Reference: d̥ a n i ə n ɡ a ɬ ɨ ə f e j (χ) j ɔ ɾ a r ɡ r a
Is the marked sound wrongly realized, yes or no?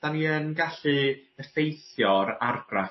yes